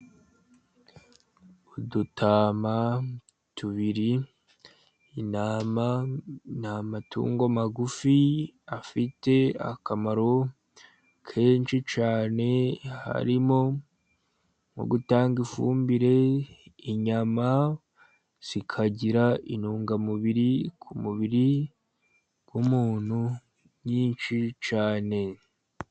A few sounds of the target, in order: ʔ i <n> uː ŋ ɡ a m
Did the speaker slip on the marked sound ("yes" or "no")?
no